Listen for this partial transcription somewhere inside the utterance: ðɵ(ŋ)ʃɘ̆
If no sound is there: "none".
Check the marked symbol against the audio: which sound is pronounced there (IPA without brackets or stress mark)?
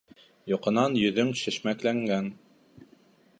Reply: ŋ